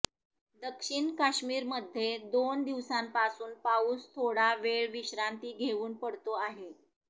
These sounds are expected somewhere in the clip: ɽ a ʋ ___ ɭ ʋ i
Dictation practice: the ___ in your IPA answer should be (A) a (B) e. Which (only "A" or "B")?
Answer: B